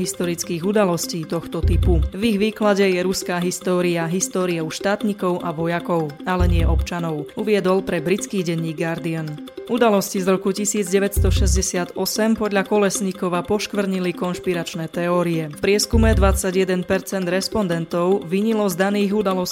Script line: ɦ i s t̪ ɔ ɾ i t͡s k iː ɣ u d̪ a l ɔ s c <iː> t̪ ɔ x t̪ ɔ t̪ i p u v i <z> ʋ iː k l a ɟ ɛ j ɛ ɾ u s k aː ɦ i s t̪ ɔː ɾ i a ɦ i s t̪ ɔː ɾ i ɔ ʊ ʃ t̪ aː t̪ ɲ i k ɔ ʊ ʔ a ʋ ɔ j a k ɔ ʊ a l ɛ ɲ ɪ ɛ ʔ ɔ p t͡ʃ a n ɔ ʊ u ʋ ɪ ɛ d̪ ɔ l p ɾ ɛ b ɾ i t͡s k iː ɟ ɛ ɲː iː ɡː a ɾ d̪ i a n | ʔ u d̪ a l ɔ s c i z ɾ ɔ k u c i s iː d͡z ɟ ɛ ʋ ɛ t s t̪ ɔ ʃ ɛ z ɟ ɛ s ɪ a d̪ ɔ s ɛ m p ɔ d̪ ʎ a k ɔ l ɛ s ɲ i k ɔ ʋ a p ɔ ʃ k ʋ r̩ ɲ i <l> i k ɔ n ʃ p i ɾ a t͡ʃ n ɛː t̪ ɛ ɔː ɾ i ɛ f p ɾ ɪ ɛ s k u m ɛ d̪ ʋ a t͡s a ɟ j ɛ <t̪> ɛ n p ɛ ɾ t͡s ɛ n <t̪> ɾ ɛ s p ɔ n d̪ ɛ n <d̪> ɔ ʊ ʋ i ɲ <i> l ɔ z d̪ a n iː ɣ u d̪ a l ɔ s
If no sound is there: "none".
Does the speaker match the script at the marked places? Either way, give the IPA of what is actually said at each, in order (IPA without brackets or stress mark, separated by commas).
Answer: iː, ɣ, l, d̪, d̪, t̪, i